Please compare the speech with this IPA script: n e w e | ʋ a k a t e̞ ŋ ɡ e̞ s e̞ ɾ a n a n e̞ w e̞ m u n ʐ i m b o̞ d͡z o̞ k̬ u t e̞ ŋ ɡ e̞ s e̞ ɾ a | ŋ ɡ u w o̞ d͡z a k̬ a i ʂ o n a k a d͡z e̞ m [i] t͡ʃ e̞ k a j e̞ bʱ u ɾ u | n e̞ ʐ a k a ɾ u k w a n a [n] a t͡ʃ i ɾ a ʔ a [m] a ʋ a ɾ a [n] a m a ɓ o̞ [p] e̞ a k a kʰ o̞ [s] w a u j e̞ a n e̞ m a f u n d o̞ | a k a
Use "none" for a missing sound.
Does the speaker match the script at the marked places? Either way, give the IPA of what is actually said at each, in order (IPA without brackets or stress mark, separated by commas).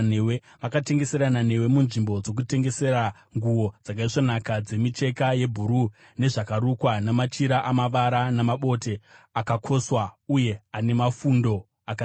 i, m, m, n, t, s